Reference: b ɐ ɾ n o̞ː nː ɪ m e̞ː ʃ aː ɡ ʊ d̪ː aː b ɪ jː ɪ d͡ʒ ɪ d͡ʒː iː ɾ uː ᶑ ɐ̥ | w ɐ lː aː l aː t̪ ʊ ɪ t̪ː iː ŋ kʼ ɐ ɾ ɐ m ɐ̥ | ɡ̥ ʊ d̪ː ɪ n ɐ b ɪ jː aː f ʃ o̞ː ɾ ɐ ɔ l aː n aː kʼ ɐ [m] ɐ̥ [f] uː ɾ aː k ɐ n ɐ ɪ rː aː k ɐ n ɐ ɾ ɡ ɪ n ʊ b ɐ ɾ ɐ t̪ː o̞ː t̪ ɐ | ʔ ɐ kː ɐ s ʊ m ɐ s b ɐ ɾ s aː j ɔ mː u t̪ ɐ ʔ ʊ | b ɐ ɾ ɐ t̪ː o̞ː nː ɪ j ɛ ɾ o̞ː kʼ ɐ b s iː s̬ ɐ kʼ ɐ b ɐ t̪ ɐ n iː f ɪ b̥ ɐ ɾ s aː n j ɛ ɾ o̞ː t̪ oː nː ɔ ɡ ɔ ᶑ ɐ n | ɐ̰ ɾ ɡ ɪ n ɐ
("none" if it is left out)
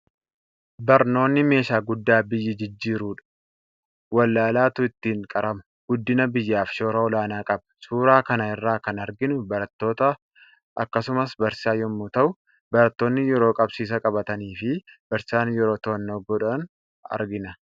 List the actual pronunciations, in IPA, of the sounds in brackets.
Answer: b, s

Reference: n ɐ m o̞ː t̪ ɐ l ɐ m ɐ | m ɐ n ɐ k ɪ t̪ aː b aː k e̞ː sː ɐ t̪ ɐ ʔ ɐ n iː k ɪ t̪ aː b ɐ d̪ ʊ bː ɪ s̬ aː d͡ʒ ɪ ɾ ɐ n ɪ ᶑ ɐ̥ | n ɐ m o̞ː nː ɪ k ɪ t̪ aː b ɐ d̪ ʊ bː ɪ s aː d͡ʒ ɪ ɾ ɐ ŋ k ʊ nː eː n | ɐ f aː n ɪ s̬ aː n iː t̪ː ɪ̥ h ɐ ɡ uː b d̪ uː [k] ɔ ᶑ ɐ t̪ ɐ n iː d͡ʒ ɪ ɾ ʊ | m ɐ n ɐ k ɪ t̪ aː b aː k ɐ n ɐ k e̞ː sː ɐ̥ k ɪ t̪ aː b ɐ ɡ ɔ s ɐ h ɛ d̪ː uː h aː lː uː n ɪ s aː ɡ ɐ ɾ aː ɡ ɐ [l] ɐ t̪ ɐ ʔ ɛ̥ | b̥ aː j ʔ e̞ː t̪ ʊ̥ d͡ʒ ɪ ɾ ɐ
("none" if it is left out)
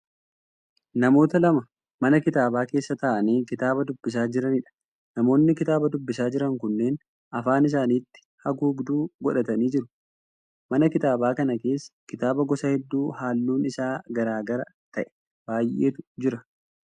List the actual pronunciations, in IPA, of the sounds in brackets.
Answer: ɡ, ɾ

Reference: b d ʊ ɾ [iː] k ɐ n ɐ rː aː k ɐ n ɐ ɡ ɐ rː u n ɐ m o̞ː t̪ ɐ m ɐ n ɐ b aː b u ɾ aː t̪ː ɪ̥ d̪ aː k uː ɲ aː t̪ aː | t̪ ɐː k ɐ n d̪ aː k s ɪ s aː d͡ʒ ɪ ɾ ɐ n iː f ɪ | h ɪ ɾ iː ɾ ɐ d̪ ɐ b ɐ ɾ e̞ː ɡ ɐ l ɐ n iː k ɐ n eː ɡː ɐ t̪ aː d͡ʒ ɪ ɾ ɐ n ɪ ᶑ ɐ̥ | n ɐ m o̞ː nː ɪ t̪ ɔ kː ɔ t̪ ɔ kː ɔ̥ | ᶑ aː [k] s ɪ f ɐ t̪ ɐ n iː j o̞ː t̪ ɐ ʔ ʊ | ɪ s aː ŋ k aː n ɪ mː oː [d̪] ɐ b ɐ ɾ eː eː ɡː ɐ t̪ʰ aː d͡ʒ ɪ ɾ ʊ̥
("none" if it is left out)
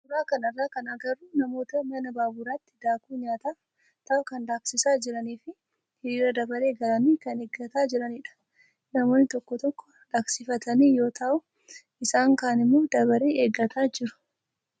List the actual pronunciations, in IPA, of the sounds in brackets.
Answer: aː, k, d̪

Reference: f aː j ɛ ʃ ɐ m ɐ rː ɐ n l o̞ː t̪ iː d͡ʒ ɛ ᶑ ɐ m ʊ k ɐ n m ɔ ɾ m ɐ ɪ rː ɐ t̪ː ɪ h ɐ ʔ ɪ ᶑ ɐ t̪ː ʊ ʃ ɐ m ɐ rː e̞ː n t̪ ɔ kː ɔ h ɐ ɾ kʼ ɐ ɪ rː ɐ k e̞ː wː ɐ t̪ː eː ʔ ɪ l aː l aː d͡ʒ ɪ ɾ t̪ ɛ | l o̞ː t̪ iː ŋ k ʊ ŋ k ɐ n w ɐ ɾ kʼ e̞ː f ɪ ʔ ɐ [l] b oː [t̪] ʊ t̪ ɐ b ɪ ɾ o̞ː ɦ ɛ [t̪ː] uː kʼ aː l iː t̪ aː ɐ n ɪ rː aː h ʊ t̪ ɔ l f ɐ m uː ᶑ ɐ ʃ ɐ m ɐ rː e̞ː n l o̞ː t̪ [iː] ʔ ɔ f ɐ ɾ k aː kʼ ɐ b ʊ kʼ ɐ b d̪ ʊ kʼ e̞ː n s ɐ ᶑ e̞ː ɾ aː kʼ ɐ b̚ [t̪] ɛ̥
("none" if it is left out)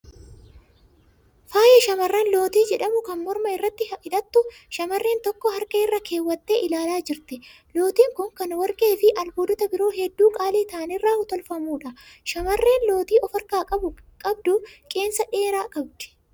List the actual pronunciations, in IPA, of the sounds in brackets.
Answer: l, d̪, d̪ː, iː, d̪

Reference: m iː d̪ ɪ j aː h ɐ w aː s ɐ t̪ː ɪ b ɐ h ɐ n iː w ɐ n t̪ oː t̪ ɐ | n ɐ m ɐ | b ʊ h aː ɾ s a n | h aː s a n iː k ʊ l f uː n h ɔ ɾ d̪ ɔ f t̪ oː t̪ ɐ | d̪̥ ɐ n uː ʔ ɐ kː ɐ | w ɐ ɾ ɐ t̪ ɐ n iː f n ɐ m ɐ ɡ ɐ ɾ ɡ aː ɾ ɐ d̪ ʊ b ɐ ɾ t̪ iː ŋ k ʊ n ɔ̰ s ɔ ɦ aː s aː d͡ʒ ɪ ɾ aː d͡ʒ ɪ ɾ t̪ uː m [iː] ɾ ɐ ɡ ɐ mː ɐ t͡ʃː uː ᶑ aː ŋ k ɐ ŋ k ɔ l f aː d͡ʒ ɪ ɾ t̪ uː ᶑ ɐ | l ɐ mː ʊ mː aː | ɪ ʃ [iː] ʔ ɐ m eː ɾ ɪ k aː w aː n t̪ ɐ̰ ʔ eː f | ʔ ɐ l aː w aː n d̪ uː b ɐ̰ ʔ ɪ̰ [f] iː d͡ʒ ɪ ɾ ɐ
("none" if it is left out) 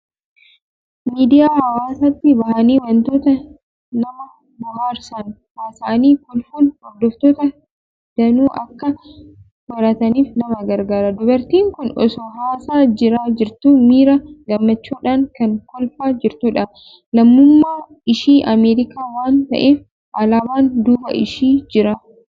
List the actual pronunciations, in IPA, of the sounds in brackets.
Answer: iː, iː, ʃ

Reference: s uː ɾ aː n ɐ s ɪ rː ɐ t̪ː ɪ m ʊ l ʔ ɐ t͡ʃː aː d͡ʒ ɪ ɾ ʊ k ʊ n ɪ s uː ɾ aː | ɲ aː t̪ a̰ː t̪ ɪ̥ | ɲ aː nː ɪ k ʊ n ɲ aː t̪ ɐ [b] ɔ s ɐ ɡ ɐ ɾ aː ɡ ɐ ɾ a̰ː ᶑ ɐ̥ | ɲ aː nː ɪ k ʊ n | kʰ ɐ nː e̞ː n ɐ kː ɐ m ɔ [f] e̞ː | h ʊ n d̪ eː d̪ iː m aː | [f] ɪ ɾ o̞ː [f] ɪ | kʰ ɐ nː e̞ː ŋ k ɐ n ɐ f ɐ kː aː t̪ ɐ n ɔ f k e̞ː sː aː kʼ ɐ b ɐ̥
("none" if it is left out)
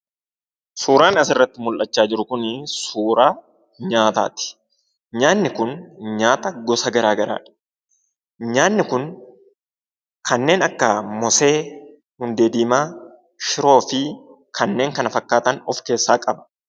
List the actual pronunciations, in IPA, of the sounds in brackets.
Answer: ɡ, s, ʃ, f

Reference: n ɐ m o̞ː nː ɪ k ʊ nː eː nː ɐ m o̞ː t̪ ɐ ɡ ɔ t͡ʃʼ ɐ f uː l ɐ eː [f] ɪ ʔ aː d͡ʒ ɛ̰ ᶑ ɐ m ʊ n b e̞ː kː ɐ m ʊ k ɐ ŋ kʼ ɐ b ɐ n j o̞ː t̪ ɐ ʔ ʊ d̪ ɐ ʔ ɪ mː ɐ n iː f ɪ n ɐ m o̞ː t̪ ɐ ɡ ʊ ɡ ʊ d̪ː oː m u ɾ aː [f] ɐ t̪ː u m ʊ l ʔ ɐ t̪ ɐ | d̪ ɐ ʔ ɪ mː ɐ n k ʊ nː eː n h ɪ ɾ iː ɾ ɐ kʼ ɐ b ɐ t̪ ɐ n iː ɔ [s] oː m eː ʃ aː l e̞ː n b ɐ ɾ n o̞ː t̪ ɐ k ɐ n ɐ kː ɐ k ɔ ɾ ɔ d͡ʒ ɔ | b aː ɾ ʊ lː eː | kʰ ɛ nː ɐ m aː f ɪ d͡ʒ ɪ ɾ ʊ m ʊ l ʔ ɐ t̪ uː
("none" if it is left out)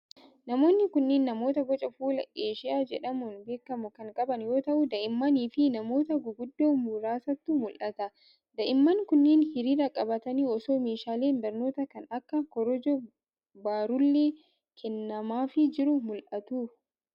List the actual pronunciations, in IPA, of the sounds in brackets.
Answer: ʃ, s, s

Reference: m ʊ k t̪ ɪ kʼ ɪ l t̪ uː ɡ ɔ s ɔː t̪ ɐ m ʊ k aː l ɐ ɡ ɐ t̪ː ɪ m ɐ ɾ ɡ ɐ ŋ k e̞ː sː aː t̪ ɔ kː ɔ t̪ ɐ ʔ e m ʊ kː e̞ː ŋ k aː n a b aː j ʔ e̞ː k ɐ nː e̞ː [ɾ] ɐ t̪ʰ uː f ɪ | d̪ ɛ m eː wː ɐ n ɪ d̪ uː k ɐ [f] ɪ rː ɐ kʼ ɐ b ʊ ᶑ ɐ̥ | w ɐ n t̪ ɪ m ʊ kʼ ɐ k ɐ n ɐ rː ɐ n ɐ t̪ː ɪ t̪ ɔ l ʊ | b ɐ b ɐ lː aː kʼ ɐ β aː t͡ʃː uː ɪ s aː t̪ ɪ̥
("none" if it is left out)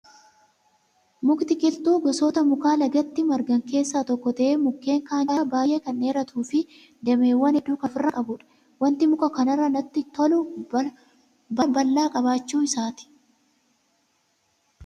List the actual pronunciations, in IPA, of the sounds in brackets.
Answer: ɾ, f

